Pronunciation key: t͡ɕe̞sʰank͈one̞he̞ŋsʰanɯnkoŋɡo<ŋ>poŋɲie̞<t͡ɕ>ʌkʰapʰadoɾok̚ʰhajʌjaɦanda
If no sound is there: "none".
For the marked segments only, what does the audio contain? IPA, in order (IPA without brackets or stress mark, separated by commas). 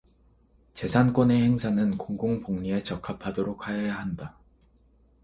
ŋ, t͡ɕ